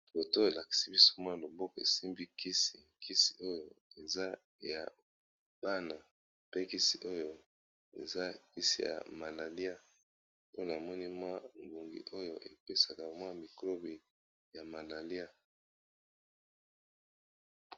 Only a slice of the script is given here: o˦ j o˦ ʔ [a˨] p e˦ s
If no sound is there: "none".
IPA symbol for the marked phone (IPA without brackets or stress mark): e˨